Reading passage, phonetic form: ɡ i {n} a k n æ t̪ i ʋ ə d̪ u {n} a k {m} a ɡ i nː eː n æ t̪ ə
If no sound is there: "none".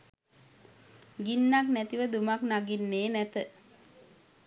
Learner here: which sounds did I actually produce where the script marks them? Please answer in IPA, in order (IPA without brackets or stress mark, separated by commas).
nː, m, n